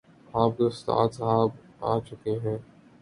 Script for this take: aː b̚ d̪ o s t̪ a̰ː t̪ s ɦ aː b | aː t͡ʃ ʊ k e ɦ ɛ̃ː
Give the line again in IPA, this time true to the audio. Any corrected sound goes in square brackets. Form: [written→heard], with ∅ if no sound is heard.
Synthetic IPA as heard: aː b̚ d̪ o s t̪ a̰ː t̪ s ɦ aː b | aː t͡ʃ ʊ k e ɦ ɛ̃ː